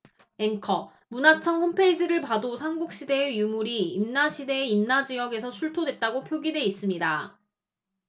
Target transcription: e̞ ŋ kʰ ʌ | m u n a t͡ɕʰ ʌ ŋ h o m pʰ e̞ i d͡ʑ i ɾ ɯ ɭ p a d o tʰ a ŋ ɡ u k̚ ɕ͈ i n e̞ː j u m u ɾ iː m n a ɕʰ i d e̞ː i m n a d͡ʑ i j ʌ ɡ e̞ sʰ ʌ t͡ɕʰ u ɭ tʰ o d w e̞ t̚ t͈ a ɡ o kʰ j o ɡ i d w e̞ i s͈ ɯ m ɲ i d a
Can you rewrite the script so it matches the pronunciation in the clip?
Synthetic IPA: e̞ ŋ kʰ ʌ | m u n a t͡ɕʰ ʌ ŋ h o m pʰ e̞ i d͡ʑ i ɾ ɯ ɭ p a d o sʰ a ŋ ɡ u k̚ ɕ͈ i d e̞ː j u m u ɾ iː m n a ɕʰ i d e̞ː i m n a d͡ʑ i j ʌ ɡ e̞ sʰ ʌ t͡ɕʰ u ɭ tʰ o d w e̞ t̚ t͈ a ɡ o pʰ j o ɡ i d w e̞ i s͈ ɯ m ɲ i d a